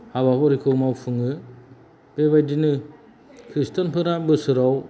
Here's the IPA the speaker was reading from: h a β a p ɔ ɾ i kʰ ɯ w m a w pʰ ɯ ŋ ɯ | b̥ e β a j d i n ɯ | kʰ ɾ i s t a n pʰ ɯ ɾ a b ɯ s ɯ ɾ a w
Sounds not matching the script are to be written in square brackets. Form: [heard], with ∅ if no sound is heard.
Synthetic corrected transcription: h a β a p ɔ ɾ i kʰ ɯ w m a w pʰ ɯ ŋ ɯ | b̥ e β a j d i n ɯ | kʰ ɾ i s t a n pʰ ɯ ɾ a b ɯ s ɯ ɾ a w

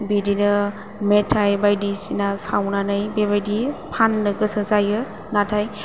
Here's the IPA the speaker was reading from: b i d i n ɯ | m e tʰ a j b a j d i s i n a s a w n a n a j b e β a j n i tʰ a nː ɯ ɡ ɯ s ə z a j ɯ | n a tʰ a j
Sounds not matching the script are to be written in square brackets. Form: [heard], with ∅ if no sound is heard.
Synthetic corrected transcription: b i d i n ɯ | m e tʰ a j b a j d i s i n a s a w n a n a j b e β a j [d] i [pʰ] a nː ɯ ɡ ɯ s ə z a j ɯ | n a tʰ a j

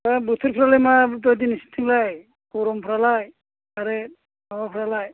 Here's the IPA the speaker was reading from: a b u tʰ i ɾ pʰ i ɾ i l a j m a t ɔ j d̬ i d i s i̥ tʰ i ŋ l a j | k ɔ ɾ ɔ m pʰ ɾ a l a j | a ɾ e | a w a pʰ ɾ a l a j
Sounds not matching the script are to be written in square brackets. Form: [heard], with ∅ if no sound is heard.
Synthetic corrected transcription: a b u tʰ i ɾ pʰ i ɾ [a] l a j m a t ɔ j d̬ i [n] i s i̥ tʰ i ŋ l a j | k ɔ ɾ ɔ m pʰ ɾ a l a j | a ɾ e | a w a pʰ ɾ a l a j

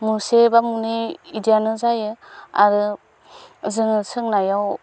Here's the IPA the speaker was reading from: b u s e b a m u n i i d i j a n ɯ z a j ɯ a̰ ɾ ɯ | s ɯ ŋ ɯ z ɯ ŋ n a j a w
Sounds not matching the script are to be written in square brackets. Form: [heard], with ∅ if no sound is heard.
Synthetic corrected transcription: [m] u s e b a m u n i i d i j a n ɯ z a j ɯ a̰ ɾ ɯ | [z] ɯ ŋ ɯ [s] ɯ ŋ n a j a w

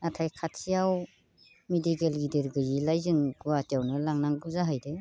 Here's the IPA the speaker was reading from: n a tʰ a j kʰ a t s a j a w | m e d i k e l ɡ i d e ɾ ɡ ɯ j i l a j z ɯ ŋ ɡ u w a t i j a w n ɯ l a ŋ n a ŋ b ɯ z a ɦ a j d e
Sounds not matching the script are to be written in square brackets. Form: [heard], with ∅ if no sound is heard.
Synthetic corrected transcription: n a tʰ a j kʰ a t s [i] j a w | m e d i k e l ɡ i d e ɾ ɡ ɯ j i l a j z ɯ ŋ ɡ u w a t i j a w n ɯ l a ŋ n a ŋ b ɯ z a ɦ a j d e

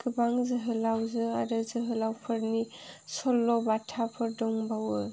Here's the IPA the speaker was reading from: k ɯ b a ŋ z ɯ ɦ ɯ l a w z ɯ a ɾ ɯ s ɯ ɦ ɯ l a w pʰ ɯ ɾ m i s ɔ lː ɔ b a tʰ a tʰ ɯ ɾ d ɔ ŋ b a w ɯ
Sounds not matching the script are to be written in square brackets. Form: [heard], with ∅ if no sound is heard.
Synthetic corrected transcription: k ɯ b a ŋ z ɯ ɦ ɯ l a w z ɯ a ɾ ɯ [z] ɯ ɦ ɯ l a w pʰ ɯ ɾ [n] i s ɔ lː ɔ b a tʰ a [pʰ] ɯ ɾ d ɔ ŋ b a w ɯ

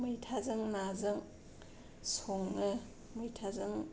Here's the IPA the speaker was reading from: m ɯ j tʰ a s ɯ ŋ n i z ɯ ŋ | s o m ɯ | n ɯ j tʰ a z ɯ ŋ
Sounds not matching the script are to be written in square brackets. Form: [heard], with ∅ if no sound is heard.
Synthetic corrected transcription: m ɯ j tʰ a [z] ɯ ŋ n [a] z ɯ ŋ | s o [ŋ] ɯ | [m] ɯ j tʰ a z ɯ ŋ

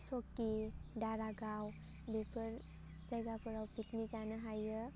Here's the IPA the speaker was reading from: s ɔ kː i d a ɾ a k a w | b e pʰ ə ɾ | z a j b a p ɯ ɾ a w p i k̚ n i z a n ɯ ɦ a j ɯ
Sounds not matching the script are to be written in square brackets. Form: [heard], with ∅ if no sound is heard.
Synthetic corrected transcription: s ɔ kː i d a ɾ a [ɡ] a w | b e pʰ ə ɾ | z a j [ɡ] a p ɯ ɾ a w p i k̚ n i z a n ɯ ɦ a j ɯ

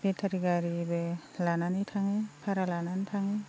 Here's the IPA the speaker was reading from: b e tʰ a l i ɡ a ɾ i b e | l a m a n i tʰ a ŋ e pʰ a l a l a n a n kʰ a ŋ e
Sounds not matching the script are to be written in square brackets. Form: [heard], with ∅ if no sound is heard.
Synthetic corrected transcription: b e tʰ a [ɾ] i ɡ a ɾ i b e | l a [n] a n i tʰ a ŋ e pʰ a [ɾ] a l a n a n [tʰ] a ŋ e

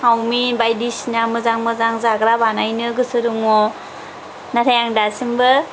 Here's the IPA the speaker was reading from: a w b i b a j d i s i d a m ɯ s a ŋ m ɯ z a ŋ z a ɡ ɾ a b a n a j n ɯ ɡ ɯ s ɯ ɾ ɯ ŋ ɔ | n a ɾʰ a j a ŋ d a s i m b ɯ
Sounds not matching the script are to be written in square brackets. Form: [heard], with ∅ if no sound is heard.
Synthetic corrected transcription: a w [m] i b a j d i s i [n] a m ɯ [z] a ŋ m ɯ z a ŋ z a ɡ ɾ a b a n a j n ɯ ɡ ɯ s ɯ ɾ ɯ ŋ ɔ | n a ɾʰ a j a ŋ d a s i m b ɯ

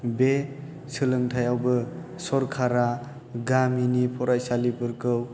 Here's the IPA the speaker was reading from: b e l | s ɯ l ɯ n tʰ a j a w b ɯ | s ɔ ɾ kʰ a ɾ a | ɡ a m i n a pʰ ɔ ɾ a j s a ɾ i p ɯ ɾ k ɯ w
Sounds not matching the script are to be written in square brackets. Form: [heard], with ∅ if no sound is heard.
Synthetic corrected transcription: b e [∅] | s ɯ l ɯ [ŋ] tʰ a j a w b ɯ | s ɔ ɾ kʰ a ɾ a | ɡ a m i n [i] pʰ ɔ ɾ a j s a [l] i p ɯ ɾ k ɯ w

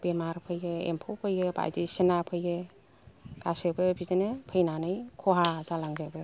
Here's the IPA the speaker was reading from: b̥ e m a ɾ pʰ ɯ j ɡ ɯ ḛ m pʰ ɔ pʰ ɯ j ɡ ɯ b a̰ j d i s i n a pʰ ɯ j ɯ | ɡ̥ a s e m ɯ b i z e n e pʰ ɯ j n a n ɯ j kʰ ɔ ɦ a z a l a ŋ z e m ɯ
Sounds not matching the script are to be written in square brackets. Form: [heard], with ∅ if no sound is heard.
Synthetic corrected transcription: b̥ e m a ɾ pʰ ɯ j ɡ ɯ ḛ m pʰ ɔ pʰ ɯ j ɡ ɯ b a̰ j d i s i n a pʰ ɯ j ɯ | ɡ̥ a s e [b] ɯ b i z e n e pʰ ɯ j n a n ɯ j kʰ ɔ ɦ a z a l a ŋ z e [b] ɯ

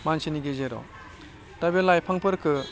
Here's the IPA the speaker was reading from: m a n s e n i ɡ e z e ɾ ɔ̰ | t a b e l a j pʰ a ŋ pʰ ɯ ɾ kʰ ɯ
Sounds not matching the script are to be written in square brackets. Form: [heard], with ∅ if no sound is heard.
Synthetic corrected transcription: m a n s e n i ɡ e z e ɾ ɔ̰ | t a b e l a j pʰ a ŋ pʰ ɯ ɾ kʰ ɯ

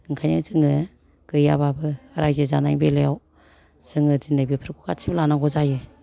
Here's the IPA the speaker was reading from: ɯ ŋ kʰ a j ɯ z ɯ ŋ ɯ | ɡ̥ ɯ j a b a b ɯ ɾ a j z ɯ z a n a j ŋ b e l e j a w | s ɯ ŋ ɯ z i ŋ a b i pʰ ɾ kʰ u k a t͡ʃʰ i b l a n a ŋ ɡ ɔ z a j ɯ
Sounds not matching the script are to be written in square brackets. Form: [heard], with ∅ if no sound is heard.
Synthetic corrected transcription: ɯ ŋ kʰ a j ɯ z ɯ ŋ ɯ | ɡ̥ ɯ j a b a b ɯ ɾ a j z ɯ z a n a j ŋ b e l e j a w | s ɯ ŋ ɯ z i [n] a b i pʰ ɾ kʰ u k a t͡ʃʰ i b l a n a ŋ ɡ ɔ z a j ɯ

